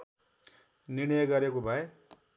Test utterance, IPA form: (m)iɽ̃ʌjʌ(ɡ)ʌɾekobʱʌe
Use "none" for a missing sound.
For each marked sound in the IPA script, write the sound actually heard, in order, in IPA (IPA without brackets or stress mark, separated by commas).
n, ɡ